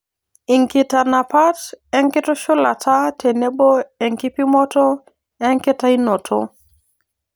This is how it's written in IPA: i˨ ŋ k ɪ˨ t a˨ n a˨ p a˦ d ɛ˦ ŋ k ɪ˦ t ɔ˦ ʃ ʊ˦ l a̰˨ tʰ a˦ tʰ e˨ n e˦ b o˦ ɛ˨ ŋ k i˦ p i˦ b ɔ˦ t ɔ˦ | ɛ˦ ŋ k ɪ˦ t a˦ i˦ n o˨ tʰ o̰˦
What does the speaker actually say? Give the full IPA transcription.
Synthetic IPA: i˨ ŋ k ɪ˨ t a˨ n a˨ p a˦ t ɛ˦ ŋ k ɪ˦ t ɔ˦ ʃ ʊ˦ l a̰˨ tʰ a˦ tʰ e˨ n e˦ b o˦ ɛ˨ ŋ k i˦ p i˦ m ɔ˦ t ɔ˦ | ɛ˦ ŋ k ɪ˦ t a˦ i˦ n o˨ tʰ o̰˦